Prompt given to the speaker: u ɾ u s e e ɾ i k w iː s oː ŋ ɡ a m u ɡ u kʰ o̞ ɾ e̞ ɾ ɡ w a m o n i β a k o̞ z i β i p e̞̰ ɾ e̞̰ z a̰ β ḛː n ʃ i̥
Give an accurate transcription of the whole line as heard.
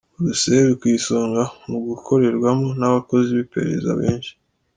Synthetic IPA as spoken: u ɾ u s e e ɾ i k w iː s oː ŋ ɡ a m u ɡ u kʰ o̞ ɾ e̞ ɾ ɡ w a m o n a β a k o̞ z i β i p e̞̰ ɾ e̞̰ z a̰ β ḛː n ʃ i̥